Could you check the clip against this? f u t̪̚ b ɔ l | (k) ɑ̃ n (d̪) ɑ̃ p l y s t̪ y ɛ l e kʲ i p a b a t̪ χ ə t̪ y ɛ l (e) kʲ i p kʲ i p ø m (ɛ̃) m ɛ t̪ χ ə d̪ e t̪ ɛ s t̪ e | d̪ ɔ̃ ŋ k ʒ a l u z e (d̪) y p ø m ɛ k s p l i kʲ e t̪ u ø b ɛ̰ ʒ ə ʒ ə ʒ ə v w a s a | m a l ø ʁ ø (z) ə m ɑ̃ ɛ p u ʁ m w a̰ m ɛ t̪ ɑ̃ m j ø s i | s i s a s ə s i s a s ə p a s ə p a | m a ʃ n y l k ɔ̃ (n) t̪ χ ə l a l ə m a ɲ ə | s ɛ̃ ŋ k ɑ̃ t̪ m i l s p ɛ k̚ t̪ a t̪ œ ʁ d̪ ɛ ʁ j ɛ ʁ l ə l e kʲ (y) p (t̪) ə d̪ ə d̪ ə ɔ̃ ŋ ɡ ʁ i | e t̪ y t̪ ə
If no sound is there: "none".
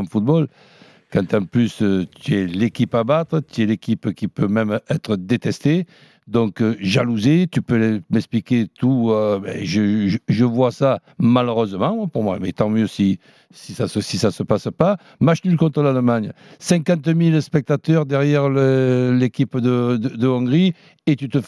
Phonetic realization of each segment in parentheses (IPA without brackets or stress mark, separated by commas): k, t̪, e, ɛ, t̪, z, n, i, d̪